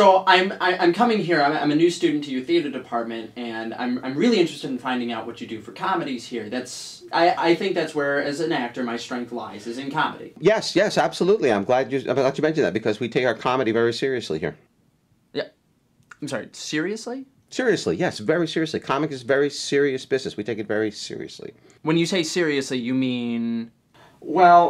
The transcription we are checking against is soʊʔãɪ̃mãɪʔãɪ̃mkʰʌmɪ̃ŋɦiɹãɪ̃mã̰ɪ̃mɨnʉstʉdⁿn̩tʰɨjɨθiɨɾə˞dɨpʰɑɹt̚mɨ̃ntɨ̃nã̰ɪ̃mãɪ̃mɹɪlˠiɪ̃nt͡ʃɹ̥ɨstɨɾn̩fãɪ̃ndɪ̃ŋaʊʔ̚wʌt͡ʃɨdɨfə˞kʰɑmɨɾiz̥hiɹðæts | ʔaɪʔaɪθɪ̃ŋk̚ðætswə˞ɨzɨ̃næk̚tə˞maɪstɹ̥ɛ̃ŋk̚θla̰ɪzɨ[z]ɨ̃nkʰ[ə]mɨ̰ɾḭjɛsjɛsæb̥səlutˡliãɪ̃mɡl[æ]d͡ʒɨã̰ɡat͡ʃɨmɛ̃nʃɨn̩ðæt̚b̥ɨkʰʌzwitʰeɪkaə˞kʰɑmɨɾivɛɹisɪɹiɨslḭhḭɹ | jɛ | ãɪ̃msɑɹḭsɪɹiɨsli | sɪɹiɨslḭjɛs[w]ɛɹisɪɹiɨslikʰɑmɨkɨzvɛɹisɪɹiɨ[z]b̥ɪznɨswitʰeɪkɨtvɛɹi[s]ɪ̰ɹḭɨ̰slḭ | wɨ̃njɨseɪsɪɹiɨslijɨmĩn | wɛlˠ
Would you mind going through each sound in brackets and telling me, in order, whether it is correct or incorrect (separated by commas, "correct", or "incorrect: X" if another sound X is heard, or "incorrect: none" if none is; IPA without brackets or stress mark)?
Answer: correct, incorrect: ɑ, correct, incorrect: v, incorrect: s, correct